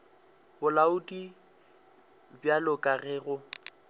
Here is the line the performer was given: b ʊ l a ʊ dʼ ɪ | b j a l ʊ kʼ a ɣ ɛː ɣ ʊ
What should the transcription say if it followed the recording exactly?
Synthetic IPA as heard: b ʊ l a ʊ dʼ i | b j a l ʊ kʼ a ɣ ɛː ɣ ʊ